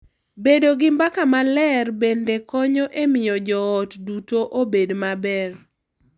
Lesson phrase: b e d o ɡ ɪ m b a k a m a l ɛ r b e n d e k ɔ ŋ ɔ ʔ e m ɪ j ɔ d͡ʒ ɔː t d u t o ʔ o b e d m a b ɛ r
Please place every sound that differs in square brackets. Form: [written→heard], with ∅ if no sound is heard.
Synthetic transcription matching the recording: b e d o ɡ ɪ m b a k a m a l ɛ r b e n d e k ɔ [ŋ→ɲ] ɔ ʔ e m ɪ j ɔ d͡ʒ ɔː t d u t o ʔ o b e d m a b ɛ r